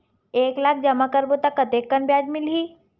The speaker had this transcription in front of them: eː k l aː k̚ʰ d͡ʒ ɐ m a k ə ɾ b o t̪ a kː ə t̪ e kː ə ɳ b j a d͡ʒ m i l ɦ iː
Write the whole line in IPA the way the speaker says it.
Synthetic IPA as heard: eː k l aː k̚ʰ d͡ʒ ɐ m a k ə ɾ b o t̪ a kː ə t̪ e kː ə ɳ b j a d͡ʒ m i l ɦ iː